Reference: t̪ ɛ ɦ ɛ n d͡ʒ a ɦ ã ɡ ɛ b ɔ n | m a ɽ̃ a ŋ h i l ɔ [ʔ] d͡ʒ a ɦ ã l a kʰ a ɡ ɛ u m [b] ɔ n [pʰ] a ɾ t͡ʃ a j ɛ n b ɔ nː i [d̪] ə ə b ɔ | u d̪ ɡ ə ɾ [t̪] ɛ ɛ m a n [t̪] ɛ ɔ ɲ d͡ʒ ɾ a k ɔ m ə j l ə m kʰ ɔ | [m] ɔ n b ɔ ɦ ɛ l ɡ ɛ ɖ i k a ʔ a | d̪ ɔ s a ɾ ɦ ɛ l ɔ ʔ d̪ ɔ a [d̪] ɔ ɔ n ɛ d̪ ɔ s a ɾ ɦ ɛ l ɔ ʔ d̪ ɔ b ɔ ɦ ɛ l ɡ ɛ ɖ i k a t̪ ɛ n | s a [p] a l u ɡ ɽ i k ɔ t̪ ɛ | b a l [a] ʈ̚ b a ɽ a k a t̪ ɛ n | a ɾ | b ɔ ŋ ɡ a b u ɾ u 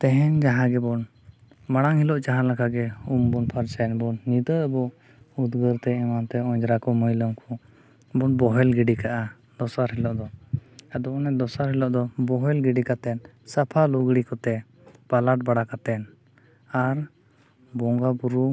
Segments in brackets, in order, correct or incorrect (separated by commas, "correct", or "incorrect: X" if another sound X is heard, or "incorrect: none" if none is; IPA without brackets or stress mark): correct, correct, correct, correct, correct, correct, incorrect: b, correct, incorrect: pʰ, correct